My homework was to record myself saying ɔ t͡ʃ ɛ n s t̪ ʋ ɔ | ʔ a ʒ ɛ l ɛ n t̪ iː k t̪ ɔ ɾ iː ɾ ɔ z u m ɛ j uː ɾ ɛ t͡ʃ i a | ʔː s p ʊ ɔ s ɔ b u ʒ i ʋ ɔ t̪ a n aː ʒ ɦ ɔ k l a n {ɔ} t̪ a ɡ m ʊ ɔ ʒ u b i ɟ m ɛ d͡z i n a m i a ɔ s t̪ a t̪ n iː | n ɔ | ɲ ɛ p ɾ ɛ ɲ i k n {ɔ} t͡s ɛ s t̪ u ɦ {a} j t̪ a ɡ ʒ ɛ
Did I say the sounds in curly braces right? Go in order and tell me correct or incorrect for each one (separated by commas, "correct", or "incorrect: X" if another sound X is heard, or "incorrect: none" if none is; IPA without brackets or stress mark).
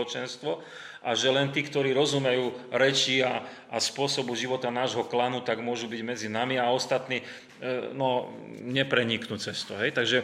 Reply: incorrect: u, incorrect: u, incorrect: ɛ